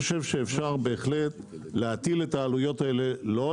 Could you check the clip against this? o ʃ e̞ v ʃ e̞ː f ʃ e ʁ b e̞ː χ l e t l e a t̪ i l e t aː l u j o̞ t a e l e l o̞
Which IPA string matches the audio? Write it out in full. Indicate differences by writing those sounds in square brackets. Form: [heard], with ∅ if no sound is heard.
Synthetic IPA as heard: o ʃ e̞ v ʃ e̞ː f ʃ [a] ʁ b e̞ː χ l e t l e a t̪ i l e t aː l u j o̞ t a e l e l o̞